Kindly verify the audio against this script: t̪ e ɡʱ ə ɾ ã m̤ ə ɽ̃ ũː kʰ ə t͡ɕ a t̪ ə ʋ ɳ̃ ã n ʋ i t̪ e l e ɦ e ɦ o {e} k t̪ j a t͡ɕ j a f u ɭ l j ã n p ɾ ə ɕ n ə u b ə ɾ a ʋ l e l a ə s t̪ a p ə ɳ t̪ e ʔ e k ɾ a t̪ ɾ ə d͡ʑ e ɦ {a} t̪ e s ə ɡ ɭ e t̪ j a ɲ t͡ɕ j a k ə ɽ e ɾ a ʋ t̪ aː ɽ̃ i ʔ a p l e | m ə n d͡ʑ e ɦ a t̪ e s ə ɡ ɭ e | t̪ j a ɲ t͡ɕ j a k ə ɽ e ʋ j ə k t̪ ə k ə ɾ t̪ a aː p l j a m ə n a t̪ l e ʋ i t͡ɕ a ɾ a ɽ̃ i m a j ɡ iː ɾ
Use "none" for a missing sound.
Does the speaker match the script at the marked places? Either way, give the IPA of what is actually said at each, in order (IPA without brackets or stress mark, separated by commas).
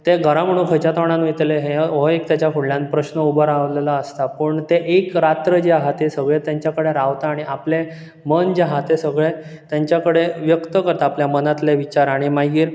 e, a